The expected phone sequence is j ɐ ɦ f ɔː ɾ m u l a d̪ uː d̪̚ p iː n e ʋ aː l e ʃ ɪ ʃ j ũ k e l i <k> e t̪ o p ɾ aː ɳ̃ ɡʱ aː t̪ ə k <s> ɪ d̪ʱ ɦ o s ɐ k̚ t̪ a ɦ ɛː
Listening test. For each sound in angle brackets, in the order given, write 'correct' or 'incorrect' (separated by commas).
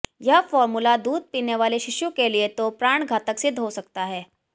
incorrect, correct